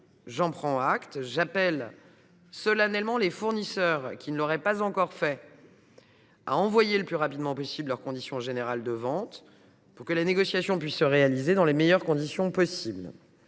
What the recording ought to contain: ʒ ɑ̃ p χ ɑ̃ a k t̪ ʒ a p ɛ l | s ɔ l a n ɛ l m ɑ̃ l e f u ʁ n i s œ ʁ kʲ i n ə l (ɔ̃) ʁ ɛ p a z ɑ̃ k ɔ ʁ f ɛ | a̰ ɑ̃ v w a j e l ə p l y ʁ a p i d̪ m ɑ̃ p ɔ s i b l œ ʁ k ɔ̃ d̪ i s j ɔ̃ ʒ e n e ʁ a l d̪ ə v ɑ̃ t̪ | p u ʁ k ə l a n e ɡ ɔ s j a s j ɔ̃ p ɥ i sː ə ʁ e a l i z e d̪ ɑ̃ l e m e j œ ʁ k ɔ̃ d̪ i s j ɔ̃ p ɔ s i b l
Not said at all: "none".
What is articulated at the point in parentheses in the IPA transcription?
ɔ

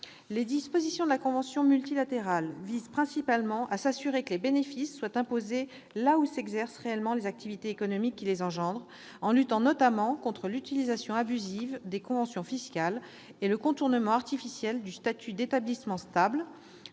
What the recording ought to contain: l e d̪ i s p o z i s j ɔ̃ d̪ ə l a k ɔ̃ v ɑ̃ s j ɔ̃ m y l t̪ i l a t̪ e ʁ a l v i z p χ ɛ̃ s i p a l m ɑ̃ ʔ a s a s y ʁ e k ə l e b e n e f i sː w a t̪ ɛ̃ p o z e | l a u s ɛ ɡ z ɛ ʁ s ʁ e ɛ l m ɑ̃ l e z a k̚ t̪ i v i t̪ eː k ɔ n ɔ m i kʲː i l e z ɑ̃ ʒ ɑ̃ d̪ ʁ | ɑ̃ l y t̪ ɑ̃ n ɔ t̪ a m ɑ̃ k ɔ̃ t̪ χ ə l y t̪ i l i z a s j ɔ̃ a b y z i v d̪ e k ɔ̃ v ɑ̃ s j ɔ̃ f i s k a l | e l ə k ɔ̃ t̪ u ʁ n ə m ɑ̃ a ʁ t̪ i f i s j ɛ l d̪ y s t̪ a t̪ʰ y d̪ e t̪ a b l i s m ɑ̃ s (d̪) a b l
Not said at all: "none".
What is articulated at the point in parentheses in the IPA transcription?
t̪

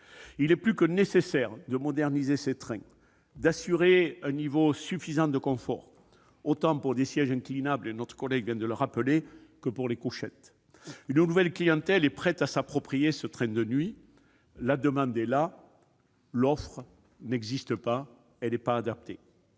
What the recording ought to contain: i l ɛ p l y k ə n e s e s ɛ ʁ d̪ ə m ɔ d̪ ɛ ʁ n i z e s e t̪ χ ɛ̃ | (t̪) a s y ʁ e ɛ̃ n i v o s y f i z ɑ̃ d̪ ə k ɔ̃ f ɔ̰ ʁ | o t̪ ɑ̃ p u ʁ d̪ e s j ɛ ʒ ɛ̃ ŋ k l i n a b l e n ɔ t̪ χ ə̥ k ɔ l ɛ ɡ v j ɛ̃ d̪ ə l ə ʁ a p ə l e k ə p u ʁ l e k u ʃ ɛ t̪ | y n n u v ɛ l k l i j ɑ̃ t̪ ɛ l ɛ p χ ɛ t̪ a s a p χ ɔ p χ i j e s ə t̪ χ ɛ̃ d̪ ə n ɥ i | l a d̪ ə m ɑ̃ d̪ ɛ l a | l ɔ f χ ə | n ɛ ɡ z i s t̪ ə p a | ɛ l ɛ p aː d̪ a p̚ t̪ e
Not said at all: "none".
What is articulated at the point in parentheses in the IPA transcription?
d̪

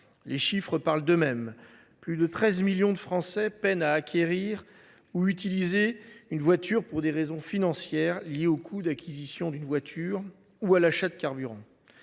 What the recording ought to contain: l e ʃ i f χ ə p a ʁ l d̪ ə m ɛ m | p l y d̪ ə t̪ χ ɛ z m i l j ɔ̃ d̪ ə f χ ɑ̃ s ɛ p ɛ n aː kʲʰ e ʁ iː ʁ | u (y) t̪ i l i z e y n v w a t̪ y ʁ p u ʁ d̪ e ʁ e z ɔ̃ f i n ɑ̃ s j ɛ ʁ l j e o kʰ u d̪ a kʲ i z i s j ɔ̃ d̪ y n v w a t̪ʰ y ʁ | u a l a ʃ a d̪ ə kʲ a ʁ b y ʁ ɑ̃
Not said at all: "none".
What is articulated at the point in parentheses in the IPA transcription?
y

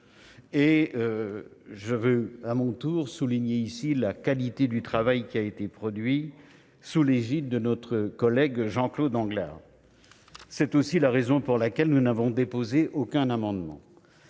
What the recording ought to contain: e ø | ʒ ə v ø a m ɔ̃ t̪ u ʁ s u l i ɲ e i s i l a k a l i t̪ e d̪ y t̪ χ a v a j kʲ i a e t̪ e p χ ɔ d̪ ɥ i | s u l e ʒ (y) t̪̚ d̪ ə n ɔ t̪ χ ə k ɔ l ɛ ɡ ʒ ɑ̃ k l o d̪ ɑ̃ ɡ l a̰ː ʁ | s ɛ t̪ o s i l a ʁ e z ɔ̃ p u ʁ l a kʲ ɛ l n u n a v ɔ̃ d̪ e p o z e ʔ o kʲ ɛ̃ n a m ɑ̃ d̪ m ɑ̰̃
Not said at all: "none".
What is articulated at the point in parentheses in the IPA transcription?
i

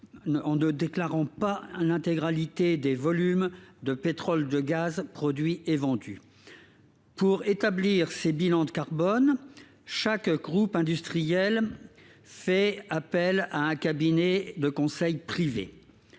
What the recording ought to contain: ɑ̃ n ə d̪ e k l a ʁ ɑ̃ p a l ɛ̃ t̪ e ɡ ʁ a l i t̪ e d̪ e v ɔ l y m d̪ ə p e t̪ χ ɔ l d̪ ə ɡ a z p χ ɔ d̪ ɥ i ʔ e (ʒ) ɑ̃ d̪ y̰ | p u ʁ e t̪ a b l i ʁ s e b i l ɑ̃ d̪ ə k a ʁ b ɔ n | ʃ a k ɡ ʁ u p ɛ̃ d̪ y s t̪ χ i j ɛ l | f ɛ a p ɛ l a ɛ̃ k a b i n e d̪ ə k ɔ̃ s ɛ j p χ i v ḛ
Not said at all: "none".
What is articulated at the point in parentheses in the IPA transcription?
v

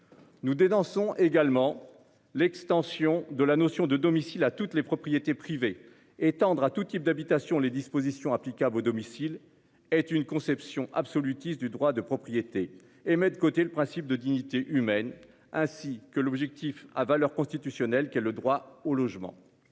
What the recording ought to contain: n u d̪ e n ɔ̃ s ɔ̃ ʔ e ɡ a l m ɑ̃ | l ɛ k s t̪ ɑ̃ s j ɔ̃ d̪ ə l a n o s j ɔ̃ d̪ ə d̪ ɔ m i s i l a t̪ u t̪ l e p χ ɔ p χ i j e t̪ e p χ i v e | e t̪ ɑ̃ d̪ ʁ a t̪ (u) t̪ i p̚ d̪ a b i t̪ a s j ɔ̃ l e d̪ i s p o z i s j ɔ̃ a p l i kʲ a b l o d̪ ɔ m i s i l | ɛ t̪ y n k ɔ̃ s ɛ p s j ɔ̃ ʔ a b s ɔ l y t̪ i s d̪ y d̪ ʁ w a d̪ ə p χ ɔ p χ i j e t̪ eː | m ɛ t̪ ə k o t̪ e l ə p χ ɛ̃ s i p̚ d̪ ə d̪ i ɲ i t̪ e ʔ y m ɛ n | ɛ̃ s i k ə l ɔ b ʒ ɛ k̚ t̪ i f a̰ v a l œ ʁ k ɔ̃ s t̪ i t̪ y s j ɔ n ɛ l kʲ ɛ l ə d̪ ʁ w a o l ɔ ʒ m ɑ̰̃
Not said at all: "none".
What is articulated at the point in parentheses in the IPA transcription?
u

